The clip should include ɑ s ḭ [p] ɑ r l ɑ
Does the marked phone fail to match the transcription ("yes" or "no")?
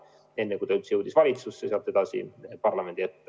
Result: no